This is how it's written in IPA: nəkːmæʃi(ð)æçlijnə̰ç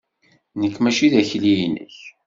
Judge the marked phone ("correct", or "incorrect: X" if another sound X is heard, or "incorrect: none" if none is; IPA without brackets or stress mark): correct